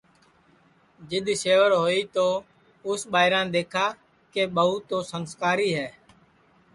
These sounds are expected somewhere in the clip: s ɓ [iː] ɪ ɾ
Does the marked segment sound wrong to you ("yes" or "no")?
yes